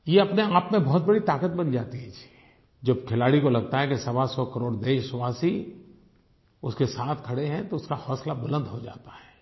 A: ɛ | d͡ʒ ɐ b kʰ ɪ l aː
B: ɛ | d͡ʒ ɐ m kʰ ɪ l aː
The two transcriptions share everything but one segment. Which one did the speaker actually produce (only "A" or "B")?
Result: A